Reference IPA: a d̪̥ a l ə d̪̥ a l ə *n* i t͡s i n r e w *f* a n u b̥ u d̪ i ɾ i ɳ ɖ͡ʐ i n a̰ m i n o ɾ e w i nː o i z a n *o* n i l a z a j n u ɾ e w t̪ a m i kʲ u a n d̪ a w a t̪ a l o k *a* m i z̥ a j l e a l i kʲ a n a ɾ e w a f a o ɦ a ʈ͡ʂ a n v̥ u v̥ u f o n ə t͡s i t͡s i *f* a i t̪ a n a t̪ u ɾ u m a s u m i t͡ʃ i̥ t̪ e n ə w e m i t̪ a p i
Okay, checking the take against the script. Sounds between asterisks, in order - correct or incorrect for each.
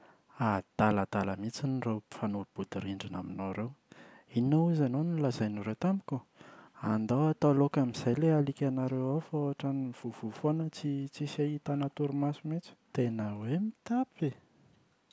incorrect: m, correct, correct, correct, incorrect: s

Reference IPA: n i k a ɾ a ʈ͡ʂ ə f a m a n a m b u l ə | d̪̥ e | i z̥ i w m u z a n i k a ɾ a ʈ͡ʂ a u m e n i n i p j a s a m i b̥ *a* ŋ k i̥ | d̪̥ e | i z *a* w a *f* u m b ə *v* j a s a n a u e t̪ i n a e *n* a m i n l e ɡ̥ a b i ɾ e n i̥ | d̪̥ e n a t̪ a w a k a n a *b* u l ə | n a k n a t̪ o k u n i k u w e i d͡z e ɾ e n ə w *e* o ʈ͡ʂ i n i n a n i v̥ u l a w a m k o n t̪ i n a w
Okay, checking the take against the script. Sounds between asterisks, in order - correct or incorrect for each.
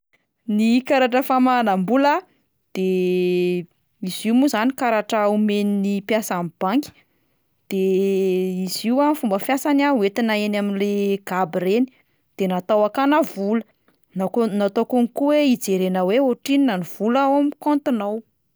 correct, incorrect: i, correct, incorrect: f, correct, incorrect: v, correct

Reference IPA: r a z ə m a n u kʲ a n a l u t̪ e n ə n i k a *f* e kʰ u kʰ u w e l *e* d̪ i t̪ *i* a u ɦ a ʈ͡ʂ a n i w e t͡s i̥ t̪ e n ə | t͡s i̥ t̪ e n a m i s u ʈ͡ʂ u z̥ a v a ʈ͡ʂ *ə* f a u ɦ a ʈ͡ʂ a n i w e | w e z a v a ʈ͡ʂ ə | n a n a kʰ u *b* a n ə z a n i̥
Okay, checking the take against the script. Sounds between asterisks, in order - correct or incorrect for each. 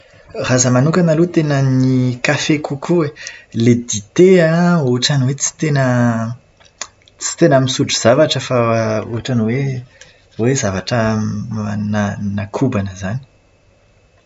correct, correct, incorrect: e, correct, correct

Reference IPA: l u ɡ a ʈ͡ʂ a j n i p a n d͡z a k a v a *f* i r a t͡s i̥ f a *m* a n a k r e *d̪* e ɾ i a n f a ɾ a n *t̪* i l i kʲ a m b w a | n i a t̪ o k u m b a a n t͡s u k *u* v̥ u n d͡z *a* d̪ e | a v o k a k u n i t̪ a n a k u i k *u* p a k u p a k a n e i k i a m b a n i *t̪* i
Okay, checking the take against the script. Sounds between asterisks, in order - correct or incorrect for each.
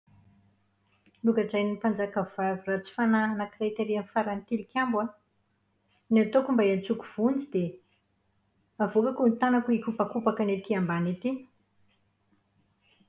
incorrect: v, incorrect: n, incorrect: t̪, correct, correct, incorrect: i, correct, correct

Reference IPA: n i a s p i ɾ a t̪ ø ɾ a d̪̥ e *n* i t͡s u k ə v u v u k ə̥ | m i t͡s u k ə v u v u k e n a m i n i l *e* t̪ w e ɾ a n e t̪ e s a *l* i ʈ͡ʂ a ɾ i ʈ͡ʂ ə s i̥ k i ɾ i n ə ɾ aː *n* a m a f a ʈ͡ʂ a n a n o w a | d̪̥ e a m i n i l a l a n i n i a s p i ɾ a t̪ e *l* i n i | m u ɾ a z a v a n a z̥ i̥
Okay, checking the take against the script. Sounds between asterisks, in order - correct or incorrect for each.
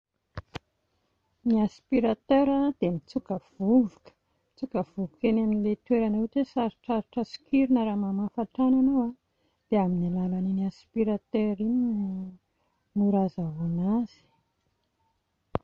incorrect: m, correct, incorrect: ɾ, incorrect: m, incorrect: ɾ

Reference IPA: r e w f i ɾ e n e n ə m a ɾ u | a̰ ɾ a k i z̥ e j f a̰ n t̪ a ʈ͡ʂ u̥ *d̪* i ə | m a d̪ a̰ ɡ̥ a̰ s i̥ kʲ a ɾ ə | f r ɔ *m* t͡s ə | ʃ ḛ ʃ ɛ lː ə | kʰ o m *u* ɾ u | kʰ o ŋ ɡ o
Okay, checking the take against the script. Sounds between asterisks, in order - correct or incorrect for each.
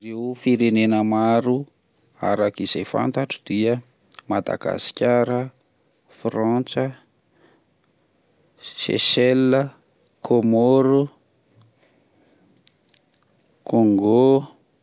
correct, incorrect: n, incorrect: o

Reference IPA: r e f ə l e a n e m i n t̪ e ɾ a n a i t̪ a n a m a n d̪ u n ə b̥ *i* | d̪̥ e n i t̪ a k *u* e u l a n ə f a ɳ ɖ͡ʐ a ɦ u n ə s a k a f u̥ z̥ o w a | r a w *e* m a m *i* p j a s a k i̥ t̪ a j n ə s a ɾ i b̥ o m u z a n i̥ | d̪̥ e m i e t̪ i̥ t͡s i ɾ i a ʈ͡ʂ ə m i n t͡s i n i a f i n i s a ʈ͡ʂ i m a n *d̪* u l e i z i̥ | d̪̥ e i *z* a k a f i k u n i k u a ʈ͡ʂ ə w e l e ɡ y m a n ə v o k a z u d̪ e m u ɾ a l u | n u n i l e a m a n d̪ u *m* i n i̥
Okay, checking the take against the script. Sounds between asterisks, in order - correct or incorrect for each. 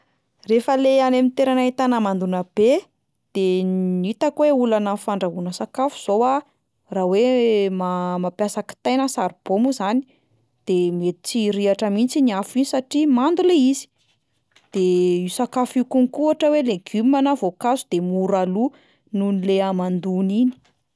incorrect: e, incorrect: w, correct, incorrect: a, correct, incorrect: s, incorrect: n

